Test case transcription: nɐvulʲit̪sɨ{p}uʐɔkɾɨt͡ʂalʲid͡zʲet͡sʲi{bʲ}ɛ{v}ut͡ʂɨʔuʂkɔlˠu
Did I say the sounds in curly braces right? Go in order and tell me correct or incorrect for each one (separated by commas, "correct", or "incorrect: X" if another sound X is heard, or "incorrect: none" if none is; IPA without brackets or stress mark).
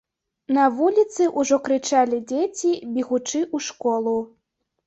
incorrect: ʔ, correct, incorrect: ɣ